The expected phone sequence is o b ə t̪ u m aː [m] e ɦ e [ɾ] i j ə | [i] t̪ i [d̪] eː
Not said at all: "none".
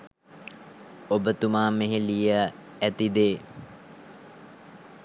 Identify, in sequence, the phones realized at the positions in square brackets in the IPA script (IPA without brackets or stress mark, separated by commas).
m, l, æ, d̪